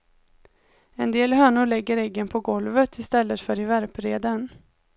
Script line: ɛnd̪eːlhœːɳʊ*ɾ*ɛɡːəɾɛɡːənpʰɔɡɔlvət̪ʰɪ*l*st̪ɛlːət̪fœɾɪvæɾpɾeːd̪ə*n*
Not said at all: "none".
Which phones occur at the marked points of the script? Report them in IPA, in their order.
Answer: ɭ, none, n

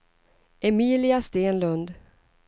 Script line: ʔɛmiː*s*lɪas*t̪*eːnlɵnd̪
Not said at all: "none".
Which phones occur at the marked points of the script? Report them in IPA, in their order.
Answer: none, t̪

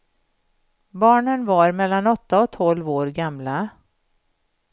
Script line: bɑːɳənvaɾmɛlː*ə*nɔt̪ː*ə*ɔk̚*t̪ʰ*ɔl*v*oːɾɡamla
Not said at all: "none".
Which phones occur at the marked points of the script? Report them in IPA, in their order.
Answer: a, a, t̪ʰ, v

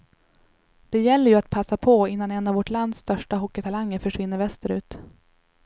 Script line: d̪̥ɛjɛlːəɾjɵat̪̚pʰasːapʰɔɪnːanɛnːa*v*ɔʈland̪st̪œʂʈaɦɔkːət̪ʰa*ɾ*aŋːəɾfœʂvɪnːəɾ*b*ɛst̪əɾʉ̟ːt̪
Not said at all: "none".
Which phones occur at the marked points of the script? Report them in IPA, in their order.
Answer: v, l, v

